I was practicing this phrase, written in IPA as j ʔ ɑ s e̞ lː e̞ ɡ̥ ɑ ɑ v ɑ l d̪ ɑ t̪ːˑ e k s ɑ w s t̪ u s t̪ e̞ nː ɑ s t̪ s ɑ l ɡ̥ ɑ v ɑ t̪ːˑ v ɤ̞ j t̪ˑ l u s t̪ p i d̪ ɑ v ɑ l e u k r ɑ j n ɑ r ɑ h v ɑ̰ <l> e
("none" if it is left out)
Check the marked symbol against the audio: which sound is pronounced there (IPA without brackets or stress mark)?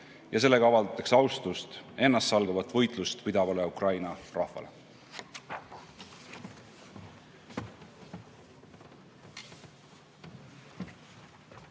l